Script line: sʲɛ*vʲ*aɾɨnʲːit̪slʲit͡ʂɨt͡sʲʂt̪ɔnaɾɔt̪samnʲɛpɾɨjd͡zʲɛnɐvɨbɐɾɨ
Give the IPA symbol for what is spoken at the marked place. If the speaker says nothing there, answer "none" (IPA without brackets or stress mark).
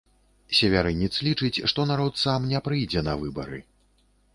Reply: vʲ